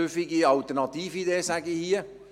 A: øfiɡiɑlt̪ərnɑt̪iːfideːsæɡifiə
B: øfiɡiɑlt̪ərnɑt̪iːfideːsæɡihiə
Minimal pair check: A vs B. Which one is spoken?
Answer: B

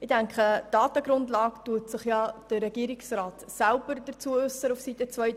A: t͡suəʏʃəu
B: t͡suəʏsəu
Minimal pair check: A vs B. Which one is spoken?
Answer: B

